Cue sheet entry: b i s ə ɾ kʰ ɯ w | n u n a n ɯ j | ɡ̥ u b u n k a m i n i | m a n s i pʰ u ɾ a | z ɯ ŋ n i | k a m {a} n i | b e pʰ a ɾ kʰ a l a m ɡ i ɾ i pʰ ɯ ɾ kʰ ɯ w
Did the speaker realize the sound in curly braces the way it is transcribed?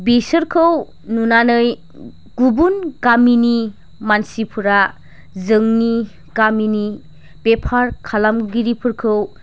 no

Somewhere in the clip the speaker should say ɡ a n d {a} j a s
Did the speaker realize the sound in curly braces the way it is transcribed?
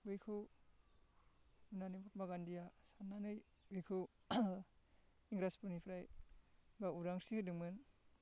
no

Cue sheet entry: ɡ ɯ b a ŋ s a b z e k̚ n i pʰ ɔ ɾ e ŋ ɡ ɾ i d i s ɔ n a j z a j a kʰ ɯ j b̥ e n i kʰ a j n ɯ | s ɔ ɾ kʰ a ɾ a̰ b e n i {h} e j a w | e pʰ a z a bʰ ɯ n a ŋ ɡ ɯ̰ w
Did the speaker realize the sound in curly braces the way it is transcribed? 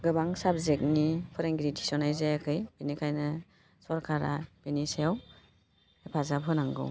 no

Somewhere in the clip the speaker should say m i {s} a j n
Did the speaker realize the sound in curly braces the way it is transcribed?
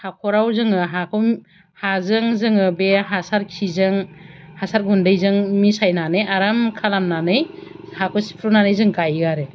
yes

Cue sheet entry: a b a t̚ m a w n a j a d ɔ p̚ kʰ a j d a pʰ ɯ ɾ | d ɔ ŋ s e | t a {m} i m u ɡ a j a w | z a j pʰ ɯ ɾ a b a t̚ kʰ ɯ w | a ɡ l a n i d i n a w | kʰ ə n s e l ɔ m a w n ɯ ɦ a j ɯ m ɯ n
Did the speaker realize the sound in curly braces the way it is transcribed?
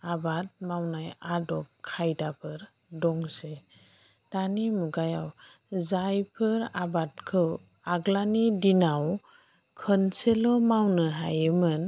no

